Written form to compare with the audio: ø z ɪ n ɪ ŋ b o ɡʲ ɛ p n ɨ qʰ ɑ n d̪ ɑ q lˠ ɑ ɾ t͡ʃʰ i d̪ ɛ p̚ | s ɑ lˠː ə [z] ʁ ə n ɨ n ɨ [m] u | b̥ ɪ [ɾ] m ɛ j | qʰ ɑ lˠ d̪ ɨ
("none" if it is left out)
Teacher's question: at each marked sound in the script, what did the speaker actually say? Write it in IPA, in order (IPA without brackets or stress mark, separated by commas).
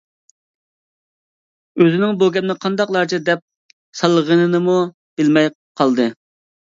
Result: none, m, l